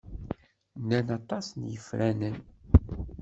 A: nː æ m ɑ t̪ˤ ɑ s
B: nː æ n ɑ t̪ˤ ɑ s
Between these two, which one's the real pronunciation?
B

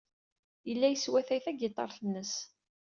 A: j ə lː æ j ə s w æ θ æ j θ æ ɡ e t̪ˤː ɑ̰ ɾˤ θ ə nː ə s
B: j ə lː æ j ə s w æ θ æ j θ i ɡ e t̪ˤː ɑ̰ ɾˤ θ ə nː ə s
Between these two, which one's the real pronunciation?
A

